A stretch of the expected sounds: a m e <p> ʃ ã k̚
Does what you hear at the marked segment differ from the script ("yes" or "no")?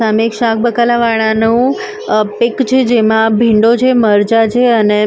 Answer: yes